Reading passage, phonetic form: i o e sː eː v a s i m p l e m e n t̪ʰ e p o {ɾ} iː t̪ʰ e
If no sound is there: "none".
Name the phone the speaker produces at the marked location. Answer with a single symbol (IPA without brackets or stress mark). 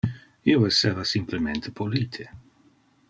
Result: l